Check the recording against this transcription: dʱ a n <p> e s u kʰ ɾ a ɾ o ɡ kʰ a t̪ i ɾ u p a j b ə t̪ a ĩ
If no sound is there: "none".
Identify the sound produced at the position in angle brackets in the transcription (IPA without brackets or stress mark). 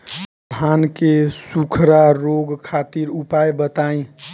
k